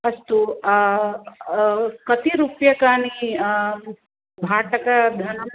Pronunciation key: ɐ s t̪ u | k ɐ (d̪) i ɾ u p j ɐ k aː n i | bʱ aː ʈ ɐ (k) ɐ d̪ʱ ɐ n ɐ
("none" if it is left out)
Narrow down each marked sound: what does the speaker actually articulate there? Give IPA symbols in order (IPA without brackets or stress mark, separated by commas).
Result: t̪, k